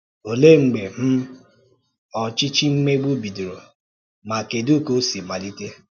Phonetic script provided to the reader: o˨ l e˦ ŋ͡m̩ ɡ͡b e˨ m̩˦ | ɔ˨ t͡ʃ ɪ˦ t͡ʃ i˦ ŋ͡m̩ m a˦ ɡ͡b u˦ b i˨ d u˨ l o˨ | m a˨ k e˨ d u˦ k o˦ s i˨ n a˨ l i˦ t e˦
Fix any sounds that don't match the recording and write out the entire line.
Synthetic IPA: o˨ l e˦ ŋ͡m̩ ɡ͡b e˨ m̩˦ | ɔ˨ t͡ʃ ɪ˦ t͡ʃ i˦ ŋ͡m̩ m e˦ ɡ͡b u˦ b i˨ d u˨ ɾ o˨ | m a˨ k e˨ d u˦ k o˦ s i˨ m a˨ l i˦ t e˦

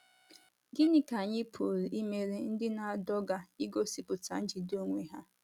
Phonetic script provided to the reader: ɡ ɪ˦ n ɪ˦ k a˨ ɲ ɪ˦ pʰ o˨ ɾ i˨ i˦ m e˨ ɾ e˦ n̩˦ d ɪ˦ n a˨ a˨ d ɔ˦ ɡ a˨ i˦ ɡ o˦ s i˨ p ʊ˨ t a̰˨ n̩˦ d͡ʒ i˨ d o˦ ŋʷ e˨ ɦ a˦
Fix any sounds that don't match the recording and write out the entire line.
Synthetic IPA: ɡ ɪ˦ n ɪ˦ k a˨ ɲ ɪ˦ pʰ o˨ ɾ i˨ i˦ m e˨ ɾ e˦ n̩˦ d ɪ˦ n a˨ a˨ d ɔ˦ ɡ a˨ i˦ ɡ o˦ s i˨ p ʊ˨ t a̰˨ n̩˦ d͡ʒ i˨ d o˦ ŋʷ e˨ ɦ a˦

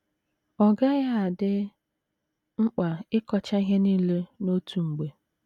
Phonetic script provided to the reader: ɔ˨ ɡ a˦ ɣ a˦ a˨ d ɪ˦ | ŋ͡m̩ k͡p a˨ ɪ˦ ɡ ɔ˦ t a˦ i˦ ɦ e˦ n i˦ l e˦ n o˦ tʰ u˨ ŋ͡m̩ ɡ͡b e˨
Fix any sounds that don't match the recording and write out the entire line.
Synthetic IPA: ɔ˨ ɡ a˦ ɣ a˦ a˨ d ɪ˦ | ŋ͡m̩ k͡p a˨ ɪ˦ k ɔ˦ t͡ʃ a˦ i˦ ɦ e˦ n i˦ l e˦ n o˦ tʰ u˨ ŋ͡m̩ ɡ͡b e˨

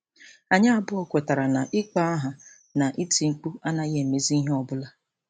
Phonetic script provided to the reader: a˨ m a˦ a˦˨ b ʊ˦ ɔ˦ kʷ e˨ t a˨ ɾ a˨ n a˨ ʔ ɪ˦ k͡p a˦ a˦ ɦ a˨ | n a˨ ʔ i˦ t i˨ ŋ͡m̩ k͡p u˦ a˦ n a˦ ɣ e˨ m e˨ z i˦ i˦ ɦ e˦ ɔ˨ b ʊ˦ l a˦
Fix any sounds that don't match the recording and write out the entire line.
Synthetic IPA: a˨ ɲ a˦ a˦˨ b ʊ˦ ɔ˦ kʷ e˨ t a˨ ɾ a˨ n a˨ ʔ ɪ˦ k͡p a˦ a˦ ɦ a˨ | n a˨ ʔ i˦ t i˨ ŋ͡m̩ k͡p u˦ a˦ n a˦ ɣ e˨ m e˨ z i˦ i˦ ɦ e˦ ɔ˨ b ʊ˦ l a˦

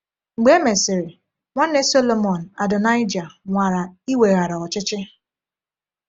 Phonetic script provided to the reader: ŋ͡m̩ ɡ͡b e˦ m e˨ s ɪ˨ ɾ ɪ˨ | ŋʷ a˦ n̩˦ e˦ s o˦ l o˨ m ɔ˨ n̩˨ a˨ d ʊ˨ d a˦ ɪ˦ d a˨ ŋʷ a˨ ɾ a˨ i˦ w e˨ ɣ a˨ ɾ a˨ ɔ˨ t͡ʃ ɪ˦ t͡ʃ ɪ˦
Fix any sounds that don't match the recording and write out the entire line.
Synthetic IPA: ŋ͡m̩ ɡ͡b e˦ m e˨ s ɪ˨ ɾ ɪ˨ | ŋʷ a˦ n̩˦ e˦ s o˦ l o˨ m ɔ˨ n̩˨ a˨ d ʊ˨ n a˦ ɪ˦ d͡ʒ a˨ ŋʷ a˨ ɾ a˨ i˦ w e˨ ɣ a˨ ɾ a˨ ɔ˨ t͡ʃ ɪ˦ t͡ʃ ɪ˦

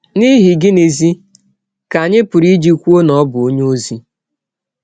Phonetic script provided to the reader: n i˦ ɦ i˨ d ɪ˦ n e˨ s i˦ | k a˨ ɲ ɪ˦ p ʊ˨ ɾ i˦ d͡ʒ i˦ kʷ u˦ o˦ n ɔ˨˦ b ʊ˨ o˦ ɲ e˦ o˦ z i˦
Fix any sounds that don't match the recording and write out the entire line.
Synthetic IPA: n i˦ ɦ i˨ ɡ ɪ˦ n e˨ z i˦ | k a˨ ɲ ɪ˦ p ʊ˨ ɾ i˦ d͡ʒ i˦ kʷ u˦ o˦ n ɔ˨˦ b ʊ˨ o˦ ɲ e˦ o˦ z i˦

